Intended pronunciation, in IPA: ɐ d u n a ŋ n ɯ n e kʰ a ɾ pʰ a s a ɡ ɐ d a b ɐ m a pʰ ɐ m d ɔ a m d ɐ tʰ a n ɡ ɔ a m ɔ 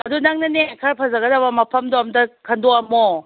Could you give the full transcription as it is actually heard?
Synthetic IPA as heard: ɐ d u n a ŋ n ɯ n e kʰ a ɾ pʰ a z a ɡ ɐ d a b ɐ m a pʰ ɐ m d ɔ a m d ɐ kʰ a n d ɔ a m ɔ